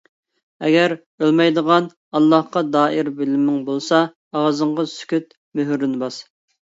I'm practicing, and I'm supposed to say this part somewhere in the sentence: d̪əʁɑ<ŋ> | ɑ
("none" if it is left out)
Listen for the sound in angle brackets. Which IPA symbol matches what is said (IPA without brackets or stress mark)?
n